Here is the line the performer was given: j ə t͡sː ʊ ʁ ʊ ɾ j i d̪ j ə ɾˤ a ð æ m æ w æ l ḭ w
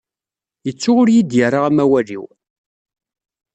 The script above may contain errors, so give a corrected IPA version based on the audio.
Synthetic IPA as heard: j ə t͡sː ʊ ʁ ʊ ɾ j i d̪ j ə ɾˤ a ʁ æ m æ w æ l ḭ w

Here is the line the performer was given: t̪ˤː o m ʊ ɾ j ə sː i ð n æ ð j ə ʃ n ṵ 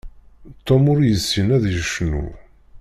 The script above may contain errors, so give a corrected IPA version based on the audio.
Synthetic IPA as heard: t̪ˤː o m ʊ ɾ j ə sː i n æ ð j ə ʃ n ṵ

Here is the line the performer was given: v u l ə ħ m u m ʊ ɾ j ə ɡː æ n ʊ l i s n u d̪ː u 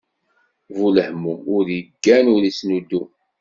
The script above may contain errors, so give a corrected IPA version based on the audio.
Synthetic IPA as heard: v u l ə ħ m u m ʊ ɾ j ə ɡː æ n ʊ ɾ i s n u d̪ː u

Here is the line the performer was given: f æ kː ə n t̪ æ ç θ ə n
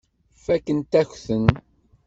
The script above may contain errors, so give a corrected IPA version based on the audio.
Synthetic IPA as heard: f æ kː ə n t̪ æ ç θ ə n

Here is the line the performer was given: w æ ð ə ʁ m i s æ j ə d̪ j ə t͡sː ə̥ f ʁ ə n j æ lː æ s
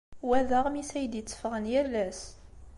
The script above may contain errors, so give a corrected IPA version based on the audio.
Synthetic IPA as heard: w æ ð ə ʁ m i s æ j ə d̪ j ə t͡sː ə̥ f ʁ ə n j æ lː æ s

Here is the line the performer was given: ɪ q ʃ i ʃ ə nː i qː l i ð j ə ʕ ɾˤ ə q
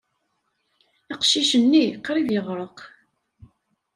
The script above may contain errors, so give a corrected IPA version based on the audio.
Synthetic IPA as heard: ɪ q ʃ i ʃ ə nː i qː ɾ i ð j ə ʁ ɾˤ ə q

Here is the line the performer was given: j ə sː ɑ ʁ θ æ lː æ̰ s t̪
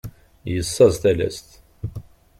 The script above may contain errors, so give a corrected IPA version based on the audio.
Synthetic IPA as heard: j ə sː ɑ z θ æ l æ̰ s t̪

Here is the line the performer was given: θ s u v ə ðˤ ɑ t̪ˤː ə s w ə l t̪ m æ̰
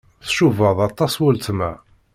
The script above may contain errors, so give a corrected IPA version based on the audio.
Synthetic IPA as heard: θ ʃ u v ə ðˤ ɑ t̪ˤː ɑ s w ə l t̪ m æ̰

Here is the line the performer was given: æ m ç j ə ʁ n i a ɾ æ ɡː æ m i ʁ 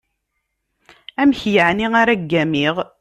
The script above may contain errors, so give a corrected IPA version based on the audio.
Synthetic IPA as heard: æ m ç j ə ʕ n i a ɾ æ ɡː æ m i ʁ

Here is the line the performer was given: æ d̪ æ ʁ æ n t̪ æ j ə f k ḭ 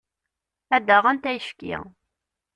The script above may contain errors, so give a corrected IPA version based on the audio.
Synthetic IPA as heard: æ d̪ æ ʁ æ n t̪ æ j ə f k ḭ

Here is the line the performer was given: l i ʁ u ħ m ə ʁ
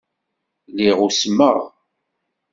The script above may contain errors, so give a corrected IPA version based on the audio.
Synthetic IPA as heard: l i ʁ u s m ə ʁ

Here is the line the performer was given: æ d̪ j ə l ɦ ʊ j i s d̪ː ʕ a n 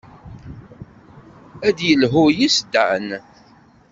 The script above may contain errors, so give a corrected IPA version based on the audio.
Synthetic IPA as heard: æ d̪ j ə l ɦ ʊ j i s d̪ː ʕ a n

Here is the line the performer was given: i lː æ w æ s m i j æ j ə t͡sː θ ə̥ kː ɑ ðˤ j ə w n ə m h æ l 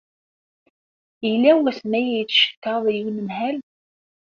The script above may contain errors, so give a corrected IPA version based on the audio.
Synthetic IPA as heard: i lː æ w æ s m æ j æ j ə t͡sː ʃ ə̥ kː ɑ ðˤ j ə w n ə m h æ l

